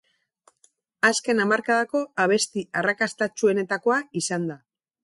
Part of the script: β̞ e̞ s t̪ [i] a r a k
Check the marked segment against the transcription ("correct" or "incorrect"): correct